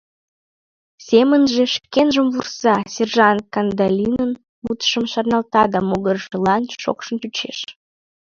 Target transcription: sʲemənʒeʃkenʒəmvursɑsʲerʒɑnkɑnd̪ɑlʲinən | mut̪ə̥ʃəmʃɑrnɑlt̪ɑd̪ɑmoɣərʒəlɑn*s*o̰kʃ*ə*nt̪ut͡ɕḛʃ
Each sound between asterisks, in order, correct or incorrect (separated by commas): incorrect, correct